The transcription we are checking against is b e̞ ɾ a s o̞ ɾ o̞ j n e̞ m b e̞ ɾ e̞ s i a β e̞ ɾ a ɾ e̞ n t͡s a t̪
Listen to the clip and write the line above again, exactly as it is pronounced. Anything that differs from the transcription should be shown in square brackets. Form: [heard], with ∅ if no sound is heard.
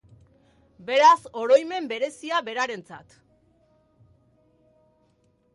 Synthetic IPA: b e̞ ɾ a s o̞ ɾ o̞ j [m] e̞ m b e̞ ɾ e̞ s i a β e̞ ɾ a ɾ e̞ n t͡s a t̪